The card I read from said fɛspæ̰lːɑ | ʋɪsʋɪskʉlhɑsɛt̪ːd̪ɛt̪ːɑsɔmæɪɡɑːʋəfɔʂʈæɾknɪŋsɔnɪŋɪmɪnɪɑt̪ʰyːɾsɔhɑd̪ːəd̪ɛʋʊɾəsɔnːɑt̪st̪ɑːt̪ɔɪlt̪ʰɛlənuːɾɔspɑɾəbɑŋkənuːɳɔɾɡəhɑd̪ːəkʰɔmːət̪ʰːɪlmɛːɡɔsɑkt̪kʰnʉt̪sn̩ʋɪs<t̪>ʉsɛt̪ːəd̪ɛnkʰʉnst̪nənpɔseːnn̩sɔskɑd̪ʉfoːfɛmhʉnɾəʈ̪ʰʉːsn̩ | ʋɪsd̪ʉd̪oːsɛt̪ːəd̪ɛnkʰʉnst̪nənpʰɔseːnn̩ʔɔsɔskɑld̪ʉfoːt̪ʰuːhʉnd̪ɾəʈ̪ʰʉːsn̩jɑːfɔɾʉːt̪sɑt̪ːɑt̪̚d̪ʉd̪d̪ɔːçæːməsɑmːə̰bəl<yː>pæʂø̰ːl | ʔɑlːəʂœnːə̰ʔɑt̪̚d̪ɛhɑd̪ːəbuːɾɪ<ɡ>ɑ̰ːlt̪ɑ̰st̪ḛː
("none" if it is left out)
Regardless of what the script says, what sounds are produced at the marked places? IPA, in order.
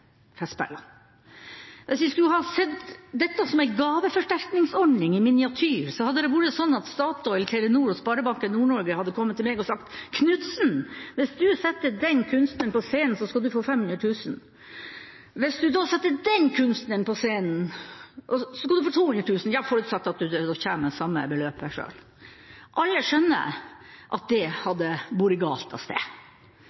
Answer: d̪, øː, ɡ

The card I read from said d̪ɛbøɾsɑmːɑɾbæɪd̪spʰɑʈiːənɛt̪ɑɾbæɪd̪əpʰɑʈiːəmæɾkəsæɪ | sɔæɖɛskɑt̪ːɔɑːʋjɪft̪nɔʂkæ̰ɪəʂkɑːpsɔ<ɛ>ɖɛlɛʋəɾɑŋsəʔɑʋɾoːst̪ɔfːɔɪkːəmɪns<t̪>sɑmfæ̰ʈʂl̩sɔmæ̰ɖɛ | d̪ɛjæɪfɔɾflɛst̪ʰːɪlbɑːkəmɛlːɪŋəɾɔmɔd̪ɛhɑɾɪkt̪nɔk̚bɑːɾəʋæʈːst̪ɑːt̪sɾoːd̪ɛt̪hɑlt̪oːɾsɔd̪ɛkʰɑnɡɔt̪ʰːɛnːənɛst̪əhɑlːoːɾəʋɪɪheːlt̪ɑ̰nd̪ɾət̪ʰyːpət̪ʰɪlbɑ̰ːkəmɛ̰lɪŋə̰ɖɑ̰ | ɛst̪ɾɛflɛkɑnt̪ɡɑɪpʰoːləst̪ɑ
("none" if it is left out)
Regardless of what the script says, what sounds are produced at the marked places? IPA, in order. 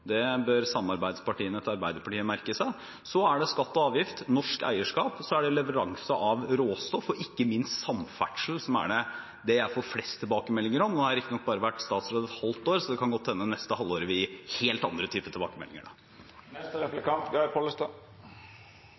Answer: æ, t̪

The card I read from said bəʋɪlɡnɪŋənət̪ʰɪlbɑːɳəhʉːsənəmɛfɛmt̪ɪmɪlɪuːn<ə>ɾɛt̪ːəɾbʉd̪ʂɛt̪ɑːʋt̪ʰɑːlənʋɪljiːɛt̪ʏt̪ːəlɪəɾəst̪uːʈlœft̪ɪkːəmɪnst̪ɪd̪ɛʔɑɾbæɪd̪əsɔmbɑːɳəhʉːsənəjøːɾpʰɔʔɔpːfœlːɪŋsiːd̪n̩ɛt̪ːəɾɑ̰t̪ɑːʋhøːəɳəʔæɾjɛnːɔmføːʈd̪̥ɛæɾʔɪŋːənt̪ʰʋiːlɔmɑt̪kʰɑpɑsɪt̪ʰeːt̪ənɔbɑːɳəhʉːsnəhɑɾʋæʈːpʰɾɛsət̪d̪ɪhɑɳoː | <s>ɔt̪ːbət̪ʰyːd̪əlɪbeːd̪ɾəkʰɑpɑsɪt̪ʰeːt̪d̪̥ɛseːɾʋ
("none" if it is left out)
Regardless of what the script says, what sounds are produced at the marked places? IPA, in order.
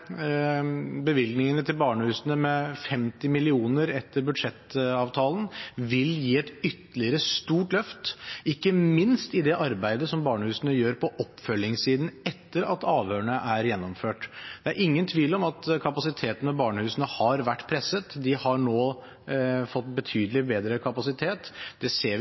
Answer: ə, f

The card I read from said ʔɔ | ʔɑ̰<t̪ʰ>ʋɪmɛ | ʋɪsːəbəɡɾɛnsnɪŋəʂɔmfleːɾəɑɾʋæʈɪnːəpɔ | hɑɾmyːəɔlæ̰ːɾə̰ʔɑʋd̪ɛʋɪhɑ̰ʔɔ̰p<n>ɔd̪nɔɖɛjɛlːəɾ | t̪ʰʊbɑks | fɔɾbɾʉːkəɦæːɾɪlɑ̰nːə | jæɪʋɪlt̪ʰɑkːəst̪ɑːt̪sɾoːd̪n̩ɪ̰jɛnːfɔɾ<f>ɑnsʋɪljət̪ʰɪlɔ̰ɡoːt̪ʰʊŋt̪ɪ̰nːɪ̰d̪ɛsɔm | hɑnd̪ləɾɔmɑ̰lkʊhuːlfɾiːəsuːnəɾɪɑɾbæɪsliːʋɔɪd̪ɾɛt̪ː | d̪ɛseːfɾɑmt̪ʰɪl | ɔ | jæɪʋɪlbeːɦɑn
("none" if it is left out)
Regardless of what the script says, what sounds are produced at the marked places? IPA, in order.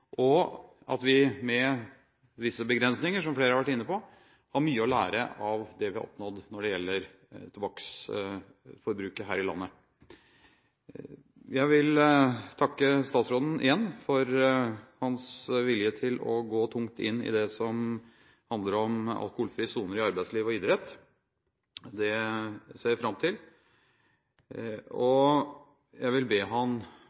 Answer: t̪, n, h

